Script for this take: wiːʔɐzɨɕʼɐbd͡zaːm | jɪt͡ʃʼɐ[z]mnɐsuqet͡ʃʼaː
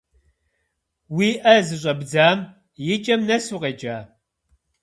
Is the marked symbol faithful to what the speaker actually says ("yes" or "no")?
no